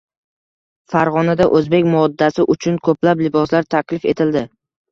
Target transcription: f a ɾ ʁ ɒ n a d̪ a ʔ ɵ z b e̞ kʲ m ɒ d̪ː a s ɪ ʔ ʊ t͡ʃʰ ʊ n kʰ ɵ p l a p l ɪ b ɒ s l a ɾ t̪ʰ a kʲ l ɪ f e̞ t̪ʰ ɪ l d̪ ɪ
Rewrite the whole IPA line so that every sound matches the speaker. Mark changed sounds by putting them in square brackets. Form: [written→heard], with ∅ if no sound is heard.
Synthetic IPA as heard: f a ɾ ʁ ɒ n a d̪ a ʔ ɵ z b e̞ kʲ m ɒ d̪ː a s ɪ ʔ ʊ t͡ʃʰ ʊ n kʰ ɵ p l a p l ɪ b ɒ s l a ɾ t̪ʰ a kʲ l ɪ f e̞ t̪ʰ ɪ l d̪ ɪ